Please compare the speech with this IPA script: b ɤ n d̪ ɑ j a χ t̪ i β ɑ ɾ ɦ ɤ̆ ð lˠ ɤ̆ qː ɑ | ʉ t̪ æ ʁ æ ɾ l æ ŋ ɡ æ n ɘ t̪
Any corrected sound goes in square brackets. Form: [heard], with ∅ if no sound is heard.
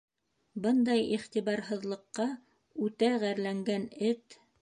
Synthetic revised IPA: b ɤ n d̪ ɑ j [i] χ t̪ i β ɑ ɾ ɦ ɤ̆ ð lˠ ɤ̆ qː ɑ | ʉ t̪ æ ʁ æ ɾ l æ ŋ ɡ æ n ɘ t̪